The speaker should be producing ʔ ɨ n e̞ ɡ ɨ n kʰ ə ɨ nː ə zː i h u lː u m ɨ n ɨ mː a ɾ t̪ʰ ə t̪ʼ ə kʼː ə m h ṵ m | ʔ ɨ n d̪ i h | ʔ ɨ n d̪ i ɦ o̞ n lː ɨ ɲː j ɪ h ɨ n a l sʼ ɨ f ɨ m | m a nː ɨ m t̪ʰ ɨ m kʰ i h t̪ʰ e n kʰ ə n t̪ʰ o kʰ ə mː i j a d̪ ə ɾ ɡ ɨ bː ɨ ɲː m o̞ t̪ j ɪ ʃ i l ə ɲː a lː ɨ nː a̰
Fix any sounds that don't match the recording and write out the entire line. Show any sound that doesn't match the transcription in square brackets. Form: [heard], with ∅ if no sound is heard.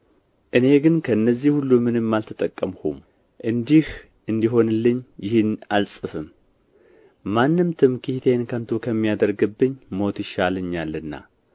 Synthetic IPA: ʔ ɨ n e̞ ɡ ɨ n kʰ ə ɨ nː ə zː i h u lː u m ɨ n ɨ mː a [l] t̪ʰ ə t̪ʼ ə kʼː ə m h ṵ m | ʔ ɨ n d̪ i h | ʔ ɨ n d̪ i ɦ o̞ n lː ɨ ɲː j ɪ h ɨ n a l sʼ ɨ f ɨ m | m a nː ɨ m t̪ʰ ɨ m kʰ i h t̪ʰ e n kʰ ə n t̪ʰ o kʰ ə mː i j a d̪ ə ɾ ɡ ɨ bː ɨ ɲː m o̞ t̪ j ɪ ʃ [a] l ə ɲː a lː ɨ nː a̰

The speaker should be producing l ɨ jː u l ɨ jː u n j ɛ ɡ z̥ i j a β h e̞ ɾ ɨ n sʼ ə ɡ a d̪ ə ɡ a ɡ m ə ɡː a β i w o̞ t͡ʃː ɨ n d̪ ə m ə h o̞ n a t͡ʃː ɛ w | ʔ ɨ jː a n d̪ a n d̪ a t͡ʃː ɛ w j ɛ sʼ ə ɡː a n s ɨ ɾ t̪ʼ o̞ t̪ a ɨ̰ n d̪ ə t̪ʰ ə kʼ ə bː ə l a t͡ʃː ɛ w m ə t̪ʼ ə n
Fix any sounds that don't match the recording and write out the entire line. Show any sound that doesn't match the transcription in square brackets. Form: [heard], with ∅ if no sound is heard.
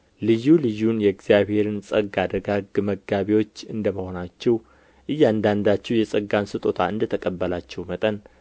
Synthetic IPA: l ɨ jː u l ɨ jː u n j ɛ ɡ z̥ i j a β h e̞ ɾ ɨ n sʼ ə ɡ a d̪ ə ɡ a ɡ m ə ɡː a β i w o̞ t͡ʃː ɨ n d̪ ə m ə h o̞ n a t͡ʃː ɛ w | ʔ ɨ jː a n d̪ a n d̪ a t͡ʃː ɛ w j ɛ sʼ ə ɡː a n s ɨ [∅] t̪ʼ o̞ [t̪ʰ] a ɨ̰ n d̪ ə t̪ʰ ə kʼ ə bː ə l a t͡ʃː ɛ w m ə t̪ʼ ə n

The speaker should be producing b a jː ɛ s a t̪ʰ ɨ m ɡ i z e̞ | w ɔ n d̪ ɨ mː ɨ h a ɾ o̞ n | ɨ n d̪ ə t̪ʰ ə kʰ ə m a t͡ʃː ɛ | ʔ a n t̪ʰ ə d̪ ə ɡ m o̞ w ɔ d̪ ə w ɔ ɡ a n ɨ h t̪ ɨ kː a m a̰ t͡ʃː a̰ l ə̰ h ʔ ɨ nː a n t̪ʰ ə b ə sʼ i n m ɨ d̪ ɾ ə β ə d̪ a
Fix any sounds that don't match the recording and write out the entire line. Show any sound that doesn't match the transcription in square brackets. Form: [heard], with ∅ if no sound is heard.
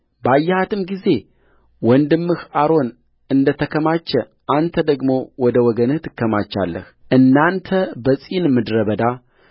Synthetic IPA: b a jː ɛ [h] a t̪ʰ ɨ m ɡ i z e̞ | w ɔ n d̪ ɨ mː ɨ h a ɾ o̞ n | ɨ n d̪ ə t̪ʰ ə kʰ ə m a t͡ʃː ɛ | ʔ a n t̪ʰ ə d̪ ə ɡ m o̞ w ɔ d̪ ə w ɔ ɡ [ə] n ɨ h t̪ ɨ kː [ə] m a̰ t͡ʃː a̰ [lː] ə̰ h ʔ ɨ nː a n t̪ʰ ə b ə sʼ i n m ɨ d̪ ɾ ə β ə d̪ a

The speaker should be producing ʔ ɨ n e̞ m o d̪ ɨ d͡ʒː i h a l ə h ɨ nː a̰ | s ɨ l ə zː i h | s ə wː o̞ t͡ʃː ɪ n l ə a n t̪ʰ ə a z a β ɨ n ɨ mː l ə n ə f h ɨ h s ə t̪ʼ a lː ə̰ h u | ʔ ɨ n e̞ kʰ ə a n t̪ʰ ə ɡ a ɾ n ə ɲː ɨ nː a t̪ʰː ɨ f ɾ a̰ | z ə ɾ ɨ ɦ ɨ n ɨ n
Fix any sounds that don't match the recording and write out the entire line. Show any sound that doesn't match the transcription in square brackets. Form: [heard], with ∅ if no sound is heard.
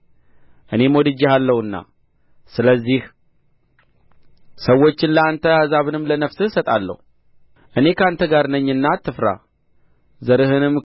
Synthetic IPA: ʔ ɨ n e̞ m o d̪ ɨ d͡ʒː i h a [lː] ə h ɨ nː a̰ | s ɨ l ə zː i h | s ə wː o̞ t͡ʃː ɪ n l ə a n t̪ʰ ə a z a β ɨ n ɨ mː l ə n ə f [s] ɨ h s ə t̪ʼ a lː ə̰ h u | ʔ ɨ n e̞ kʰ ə a n t̪ʰ ə ɡ a ɾ n ə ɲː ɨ nː a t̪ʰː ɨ f ɾ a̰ | z ə ɾ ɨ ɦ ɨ n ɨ [m]

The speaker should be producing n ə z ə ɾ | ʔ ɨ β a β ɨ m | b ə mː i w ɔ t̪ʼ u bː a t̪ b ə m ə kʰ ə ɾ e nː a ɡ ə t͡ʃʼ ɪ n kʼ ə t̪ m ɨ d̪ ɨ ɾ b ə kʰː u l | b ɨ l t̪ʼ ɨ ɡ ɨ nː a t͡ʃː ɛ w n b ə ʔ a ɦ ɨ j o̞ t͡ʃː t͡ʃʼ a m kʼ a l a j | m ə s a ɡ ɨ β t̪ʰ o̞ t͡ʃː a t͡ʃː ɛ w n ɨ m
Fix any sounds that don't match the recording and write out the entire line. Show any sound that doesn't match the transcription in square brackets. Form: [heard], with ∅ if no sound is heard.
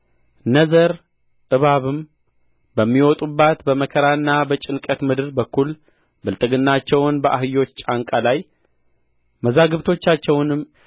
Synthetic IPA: n ə z ə ɾ | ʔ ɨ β a β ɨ m | b ə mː i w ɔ t̪ʼ u bː a t̪ b ə m ə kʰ ə ɾ [a] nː a [b] ə t͡ʃʼ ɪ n kʼ ə t̪ m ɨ d̪ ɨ ɾ b ə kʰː u l | b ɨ l t̪ʼ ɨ ɡ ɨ nː a t͡ʃː ɛ w n b ə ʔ a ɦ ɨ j o̞ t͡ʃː t͡ʃʼ a [ŋ] kʼ a l a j | m ə [z] a ɡ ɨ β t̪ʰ o̞ t͡ʃː a t͡ʃː ɛ w n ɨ m

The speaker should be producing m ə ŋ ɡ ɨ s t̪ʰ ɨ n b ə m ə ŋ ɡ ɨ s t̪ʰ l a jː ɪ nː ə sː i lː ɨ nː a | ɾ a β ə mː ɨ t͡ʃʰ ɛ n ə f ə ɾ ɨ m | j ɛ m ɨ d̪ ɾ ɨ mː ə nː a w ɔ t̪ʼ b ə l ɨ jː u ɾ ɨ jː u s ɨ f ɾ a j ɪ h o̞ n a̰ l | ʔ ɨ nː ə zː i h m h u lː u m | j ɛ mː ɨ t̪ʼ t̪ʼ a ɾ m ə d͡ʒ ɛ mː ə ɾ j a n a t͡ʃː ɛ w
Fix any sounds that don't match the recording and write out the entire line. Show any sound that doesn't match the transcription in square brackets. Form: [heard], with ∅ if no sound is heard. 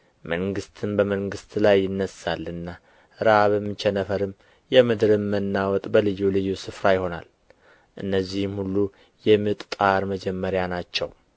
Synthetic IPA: m ə ŋ ɡ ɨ s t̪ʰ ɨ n b ə m ə ŋ ɡ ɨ s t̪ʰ l a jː ɪ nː ə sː [a] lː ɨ nː a | ɾ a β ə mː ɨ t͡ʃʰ ɛ n ə f ə ɾ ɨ m | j ɛ m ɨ d̪ ɾ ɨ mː ə nː a w ɔ t̪ʼ b ə l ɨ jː u [l] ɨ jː u s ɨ f ɾ a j ɪ h o̞ n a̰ l | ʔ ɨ nː ə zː i h m h u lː u [∅] | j ɛ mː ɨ t̪ʼ t̪ʼ a ɾ m ə d͡ʒ ɛ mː ə ɾ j a n a t͡ʃː ɛ w

